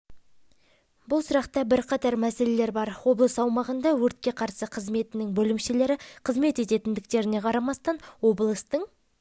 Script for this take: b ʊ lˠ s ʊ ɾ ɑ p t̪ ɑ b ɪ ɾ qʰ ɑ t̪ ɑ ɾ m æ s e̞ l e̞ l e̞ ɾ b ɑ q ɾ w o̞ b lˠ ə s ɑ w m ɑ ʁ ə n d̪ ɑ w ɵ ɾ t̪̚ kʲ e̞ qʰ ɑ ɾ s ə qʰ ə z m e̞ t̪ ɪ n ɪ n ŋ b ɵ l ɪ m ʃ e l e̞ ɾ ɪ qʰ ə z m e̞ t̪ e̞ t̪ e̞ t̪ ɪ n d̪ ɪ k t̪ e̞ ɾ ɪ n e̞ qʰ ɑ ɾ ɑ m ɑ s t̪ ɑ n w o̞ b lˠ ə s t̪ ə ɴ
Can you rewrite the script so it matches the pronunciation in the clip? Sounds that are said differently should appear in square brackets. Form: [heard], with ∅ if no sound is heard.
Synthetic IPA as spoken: b ʊ lˠ s ʊ ɾ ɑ [q] t̪ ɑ b ɪ ɾ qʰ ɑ t̪ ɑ ɾ m æ s e̞ l e̞ l e̞ ɾ b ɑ [∅] ɾ w o̞ b lˠ ə s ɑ w m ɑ ʁ ə n d̪ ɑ w ɵ ɾ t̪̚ kʲ e̞ qʰ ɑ ɾ s ə qʰ ə z m e̞ t̪ ɪ n ɪ [∅] ŋ b ɵ l ɪ m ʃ e l e̞ ɾ ɪ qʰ ə z m e̞ t̪ e̞ t̪ e̞ t̪ ɪ n d̪ ɪ k t̪ e̞ ɾ ɪ n e̞ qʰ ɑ ɾ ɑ m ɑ s t̪ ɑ n w o̞ b lˠ ə s t̪ ə ɴ